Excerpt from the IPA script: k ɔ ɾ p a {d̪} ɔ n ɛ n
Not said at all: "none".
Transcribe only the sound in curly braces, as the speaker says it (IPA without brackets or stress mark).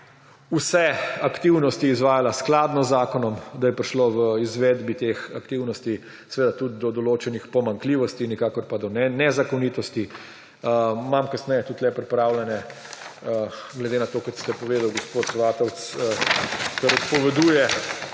d̪